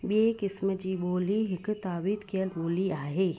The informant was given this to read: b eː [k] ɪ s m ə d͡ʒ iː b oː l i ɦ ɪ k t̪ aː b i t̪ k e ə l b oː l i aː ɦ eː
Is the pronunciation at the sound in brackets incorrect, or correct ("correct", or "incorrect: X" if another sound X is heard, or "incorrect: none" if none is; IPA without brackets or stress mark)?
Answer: correct